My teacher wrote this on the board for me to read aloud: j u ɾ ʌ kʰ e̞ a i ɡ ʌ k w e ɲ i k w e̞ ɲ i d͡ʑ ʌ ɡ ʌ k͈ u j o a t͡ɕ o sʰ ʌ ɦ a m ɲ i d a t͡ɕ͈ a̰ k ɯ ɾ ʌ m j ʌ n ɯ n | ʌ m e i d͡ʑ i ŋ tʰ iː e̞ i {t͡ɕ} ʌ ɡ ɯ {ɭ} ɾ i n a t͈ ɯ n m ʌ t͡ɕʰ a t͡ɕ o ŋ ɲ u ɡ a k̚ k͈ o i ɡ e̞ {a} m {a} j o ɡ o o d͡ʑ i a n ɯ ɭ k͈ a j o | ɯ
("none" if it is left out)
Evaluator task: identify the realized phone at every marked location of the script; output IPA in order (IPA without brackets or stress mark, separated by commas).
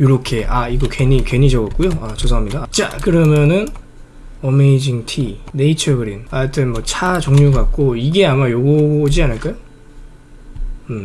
t͡ɕʰ, none, a, a